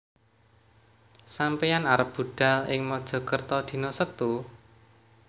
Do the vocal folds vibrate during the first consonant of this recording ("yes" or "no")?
no